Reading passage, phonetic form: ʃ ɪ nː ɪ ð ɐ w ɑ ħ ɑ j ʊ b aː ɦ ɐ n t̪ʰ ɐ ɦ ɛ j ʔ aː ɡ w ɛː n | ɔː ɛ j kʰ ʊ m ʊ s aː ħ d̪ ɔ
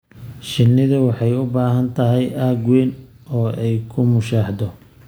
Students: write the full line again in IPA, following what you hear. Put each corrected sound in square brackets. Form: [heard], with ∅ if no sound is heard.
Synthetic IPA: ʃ ɪ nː ɪ ð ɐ w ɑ ħ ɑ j ʊ b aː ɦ ɐ n t̪ʰ ɐ ɦ ɛ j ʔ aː ɡ w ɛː n | ɔː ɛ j kʰ ʊ m ʊ [ʃ] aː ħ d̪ ɔ